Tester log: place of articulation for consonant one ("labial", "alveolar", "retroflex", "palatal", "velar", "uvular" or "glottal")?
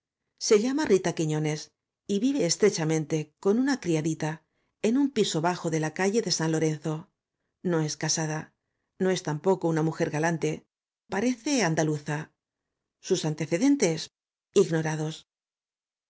alveolar